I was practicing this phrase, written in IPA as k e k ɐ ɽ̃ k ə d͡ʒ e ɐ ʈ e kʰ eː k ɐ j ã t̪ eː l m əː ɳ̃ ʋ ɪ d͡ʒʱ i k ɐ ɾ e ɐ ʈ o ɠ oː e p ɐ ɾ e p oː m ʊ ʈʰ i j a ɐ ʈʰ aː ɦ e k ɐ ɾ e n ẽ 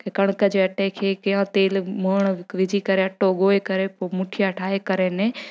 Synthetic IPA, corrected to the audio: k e k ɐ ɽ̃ k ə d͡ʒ e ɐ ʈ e kʰ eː k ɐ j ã t̪ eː l m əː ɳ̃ ʋ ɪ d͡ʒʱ i k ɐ ɾ e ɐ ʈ o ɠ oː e k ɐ ɾ e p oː m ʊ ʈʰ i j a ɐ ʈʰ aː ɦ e k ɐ ɾ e n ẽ